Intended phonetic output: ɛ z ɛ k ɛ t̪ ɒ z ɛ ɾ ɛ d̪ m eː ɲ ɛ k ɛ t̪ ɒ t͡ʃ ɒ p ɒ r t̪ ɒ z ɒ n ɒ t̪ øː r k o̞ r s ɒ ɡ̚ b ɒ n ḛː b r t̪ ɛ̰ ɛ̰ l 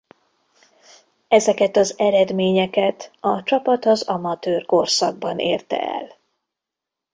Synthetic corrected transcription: ɛ z ɛ k ɛ t̪ ɒ z ɛ ɾ ɛ d̪ m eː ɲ ɛ k ɛ t̪ ɒ t͡ʃ ɒ p ɒ t̪ ɒ z ɒ m ɒ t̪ øː r k o̞ r s ɒ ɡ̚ b ɒ n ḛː r t̪ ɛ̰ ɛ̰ l